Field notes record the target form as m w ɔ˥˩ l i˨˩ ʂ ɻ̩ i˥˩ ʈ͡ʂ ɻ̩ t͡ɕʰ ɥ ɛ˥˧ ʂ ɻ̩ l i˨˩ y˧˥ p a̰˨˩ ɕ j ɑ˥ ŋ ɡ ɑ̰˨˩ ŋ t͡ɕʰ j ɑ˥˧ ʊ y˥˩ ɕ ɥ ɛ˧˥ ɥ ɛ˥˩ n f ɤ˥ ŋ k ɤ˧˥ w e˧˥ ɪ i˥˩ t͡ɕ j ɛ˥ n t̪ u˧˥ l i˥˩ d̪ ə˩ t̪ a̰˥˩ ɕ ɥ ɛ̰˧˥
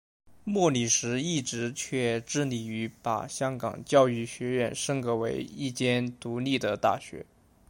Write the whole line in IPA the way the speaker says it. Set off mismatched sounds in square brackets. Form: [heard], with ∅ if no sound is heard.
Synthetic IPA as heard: m w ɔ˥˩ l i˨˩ ʂ ɻ̩ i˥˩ ʈ͡ʂ ɻ̩ t͡ɕʰ ɥ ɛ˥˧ [ʈ͡ʂ] ɻ̩ l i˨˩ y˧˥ p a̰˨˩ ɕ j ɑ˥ ŋ [k] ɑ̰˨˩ ŋ [t͡ɕ] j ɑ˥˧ ʊ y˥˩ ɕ ɥ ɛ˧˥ ɥ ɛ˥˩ n [ʂ] ɤ˥ ŋ k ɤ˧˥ w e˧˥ ɪ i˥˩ t͡ɕ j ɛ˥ n t̪ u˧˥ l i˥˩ d̪ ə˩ t̪ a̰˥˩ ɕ ɥ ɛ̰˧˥